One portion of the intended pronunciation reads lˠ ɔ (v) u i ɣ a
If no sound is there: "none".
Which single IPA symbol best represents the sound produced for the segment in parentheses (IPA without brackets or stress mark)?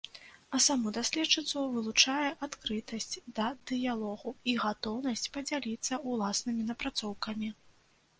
ɣ